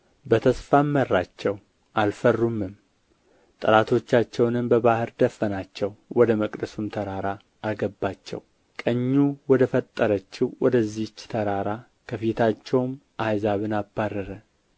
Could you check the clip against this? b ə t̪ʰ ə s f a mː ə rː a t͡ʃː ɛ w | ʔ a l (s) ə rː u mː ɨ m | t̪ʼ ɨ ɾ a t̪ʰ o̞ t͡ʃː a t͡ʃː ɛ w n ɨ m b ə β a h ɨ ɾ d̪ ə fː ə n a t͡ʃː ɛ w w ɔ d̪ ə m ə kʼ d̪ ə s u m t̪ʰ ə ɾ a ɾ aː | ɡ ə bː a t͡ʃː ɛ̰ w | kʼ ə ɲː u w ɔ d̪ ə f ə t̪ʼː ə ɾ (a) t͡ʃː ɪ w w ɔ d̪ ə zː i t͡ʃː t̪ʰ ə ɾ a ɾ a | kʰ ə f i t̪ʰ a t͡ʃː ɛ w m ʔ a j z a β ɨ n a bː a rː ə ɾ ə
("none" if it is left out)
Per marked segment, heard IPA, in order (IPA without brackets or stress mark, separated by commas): f, ə